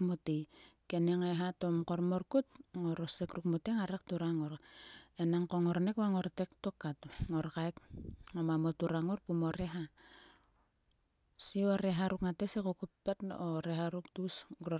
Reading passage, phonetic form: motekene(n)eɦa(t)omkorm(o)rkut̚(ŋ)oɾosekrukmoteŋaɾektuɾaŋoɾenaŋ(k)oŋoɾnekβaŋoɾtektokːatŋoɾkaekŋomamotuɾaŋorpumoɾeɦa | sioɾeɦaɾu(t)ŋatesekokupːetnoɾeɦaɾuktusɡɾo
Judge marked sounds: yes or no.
no, yes, yes, yes, yes, no

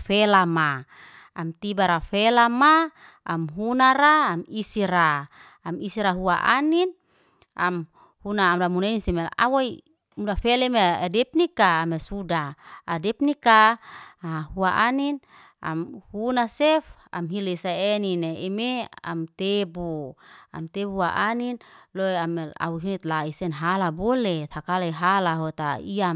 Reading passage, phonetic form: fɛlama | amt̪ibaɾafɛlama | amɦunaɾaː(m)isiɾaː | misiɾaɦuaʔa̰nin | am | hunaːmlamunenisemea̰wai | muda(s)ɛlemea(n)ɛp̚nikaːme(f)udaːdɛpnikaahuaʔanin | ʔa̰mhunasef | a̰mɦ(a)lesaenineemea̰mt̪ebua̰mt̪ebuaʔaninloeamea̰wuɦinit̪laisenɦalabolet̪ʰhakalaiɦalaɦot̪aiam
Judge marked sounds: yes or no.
yes, no, no, no, no

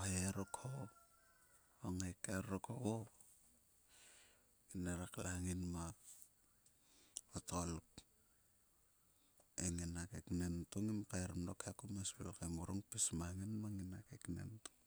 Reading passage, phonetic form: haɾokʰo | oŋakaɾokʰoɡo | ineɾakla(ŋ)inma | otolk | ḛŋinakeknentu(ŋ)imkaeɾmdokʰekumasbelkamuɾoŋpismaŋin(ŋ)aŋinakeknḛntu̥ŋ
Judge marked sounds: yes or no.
yes, yes, no

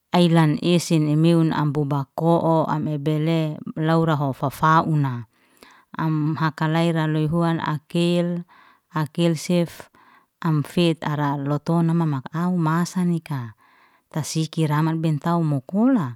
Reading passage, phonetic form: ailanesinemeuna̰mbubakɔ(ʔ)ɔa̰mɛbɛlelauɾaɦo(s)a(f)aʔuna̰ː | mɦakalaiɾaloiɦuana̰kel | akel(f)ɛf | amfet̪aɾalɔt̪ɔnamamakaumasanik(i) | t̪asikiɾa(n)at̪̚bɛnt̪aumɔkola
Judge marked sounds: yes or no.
yes, no, yes, no, no, no

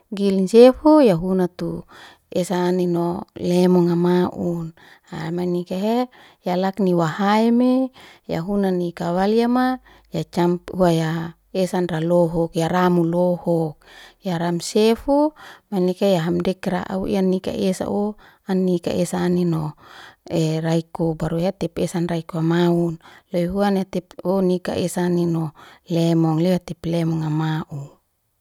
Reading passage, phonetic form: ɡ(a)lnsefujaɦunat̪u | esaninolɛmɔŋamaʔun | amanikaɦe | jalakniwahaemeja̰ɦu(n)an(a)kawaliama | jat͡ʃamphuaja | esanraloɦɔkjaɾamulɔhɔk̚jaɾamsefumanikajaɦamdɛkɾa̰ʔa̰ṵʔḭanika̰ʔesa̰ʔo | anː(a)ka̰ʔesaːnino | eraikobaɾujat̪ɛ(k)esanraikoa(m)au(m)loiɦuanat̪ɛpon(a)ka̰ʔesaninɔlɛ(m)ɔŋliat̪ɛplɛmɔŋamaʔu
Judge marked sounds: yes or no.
no, yes, no, no, no, yes, no, no, yes

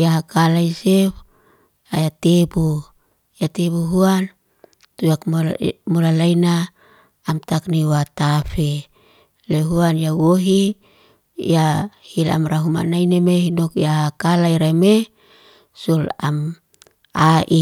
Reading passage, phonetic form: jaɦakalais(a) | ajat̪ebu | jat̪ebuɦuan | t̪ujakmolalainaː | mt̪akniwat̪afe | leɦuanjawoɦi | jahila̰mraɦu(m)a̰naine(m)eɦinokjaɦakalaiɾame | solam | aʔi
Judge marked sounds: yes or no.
no, yes, yes

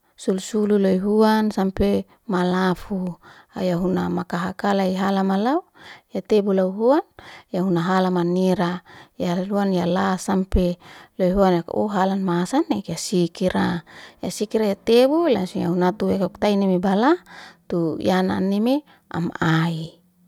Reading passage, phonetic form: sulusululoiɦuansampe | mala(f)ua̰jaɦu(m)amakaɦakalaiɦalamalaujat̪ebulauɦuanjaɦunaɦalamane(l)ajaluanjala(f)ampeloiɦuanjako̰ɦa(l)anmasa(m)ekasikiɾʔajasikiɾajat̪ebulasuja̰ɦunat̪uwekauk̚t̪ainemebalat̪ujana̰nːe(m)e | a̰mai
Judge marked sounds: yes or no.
yes, no, no, no, yes, no, yes

